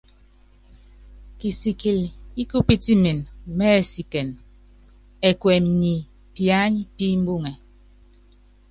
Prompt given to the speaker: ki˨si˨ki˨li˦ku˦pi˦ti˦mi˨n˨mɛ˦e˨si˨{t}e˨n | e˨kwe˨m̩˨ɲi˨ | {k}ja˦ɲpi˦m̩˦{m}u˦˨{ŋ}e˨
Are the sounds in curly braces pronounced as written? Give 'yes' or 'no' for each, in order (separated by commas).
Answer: no, no, no, yes